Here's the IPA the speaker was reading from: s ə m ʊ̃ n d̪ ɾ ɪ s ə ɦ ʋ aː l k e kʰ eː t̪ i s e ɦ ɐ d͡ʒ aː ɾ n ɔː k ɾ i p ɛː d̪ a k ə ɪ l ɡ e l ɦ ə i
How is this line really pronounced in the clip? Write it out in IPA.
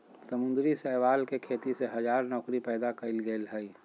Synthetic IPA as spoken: s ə m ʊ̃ n d̪ ɾ i s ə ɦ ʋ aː l k e kʰ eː t̪ i s e ɦ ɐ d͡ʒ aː ɾ n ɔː k ɾ i p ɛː d̪ a k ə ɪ l ɡ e l ɦ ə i